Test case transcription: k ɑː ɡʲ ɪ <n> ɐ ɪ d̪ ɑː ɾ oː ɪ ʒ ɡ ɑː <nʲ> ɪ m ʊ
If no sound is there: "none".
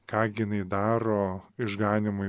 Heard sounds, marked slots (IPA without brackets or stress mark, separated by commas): n, nʲ